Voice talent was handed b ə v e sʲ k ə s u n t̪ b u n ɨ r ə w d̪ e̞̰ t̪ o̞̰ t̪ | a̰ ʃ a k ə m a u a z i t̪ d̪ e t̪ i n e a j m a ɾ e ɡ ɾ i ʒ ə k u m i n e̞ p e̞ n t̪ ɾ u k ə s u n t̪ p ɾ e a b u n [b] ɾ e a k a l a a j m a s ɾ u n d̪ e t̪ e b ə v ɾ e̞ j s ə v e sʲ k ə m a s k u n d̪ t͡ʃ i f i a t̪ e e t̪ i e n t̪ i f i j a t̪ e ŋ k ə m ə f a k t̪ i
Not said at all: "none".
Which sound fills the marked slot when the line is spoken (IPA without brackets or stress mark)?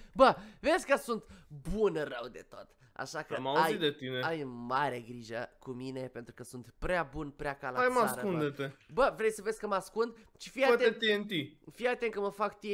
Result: p